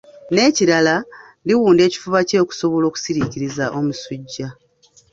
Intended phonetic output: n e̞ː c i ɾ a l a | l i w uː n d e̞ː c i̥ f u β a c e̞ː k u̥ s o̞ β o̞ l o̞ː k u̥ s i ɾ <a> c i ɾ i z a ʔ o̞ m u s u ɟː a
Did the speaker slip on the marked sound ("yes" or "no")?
yes